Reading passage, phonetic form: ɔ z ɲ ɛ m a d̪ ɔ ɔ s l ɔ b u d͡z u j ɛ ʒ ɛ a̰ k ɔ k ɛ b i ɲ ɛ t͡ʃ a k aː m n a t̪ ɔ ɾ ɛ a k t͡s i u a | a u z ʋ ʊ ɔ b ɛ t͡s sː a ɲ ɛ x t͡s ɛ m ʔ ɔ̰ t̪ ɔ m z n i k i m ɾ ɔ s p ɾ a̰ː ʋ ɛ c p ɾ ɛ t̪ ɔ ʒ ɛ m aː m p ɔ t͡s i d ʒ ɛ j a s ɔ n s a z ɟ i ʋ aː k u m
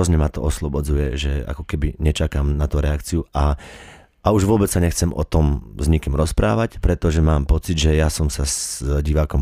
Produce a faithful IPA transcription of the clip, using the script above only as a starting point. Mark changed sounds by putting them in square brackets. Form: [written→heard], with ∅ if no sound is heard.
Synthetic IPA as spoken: ɔ z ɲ ɛ m a [d̪→t̪] ɔ ɔ s l ɔ b [u→ɔ] d͡z u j ɛ ʒ ɛ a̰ k ɔ k ɛ b i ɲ ɛ t͡ʃ a k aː m n a t̪ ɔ ɾ ɛ a k t͡s i u a | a u [z→ʒ] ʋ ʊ ɔ b ɛ t͡s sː a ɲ ɛ x t͡s ɛ m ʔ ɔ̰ t̪ ɔ m z [n→ɲ] i k i m ɾ ɔ s p ɾ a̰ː ʋ [ɛ→a] c p ɾ ɛ t̪ ɔ ʒ ɛ m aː m p ɔ t͡s i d ʒ ɛ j a s ɔ [n→m] s a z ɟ i ʋ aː k [u→ɔ] m